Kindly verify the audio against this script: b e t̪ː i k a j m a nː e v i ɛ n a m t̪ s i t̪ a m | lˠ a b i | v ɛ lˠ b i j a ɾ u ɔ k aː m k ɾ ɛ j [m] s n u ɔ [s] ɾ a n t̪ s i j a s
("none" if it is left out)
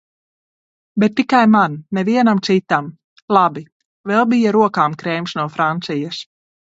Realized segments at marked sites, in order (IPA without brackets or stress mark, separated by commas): m, f